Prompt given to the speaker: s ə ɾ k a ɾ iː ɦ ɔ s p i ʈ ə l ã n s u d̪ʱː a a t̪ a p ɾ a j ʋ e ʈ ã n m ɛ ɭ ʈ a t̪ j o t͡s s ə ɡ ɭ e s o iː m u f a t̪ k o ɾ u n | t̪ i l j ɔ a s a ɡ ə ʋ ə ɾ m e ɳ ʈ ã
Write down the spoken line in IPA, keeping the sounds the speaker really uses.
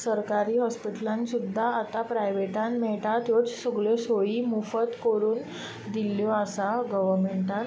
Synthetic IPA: s ə ɾ k a ɾ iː ɦ ɔ s p i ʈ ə l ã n s u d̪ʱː a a t̪ a p ɾ a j ʋ e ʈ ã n m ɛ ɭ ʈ a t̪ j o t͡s s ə ɡ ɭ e s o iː m u f ə t̪ k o ɾ uː n | d̪ i l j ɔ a s a ɡ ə ʋ ə ɾ m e ɳ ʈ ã